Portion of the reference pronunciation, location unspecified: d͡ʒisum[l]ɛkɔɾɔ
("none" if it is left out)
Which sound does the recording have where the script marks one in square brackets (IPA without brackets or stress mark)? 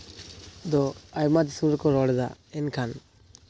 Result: ɾ